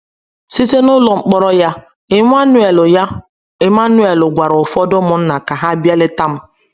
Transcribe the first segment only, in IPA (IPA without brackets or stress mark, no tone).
s